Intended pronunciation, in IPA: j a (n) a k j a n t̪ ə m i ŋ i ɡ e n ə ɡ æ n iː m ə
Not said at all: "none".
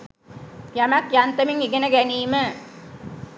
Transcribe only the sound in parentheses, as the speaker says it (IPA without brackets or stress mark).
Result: m